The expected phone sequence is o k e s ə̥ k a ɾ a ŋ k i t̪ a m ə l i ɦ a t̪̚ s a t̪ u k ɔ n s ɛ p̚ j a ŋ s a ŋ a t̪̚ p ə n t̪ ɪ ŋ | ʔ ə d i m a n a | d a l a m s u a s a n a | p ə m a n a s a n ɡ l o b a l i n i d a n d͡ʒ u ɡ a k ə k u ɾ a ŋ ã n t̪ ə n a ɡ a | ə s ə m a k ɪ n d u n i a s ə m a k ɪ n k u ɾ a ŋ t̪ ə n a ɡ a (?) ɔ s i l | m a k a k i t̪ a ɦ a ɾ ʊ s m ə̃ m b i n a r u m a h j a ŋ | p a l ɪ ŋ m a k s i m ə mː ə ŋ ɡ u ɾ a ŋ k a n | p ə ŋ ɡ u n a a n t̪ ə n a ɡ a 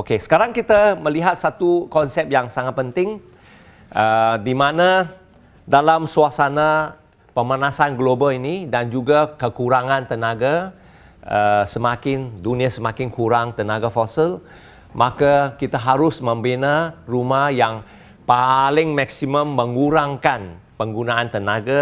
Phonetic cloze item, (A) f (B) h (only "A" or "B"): A